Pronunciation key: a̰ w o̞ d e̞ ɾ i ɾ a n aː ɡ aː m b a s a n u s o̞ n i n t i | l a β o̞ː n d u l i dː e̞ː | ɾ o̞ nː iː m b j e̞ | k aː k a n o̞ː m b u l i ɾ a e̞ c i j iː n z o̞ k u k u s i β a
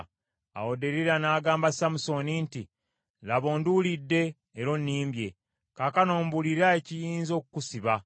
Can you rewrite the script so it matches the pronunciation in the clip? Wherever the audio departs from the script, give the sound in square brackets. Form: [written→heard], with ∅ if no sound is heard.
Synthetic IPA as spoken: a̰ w o̞ d e̞ ɾ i ɾ a n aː ɡ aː m b a s a [n→m] u s o̞ n i n t i | l a β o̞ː n d u l i dː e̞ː | ɾ o̞ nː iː m b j e̞ | k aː k a n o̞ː m b u l i ɾ a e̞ c i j iː n z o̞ k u k u s i β a